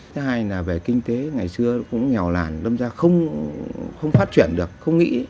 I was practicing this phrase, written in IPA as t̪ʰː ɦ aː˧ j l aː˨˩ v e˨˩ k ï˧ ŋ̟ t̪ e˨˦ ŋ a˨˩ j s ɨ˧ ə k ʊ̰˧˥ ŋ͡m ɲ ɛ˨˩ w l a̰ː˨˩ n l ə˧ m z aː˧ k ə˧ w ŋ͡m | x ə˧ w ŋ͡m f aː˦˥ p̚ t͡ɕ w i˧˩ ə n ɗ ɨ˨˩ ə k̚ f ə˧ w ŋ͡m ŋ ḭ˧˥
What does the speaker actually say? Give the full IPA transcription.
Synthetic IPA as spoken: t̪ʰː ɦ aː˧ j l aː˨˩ v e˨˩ k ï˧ ŋ̟ t̪ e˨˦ ŋ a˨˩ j s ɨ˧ ə k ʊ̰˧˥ ŋ͡m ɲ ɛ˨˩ w l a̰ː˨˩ n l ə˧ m z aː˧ x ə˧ w ŋ͡m | x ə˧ w ŋ͡m f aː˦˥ t̚ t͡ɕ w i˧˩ ə n ɗ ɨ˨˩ ə k̚ x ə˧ w ŋ͡m ŋ ḭ˧˥